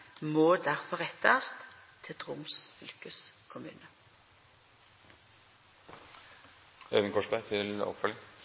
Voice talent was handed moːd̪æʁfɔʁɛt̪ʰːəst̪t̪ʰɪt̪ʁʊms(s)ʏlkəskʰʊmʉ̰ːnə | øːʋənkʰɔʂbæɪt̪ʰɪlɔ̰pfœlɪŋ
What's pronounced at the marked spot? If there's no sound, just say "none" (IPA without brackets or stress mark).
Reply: f